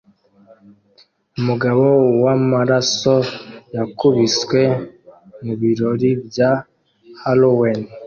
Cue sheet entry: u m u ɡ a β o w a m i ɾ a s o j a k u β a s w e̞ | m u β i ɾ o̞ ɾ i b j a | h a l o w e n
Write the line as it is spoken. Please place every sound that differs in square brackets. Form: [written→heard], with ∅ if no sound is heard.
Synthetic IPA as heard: u m u ɡ a β o w a m [i→a] ɾ a s o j a k u β [a→i] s w e̞ | m u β i ɾ o̞ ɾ i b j a | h a l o w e n